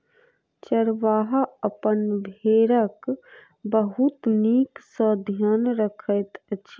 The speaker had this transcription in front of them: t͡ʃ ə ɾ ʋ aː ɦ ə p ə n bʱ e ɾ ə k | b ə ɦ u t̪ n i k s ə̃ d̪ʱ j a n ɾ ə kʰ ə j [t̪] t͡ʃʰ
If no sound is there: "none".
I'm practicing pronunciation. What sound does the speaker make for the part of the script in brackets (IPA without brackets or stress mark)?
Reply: t̪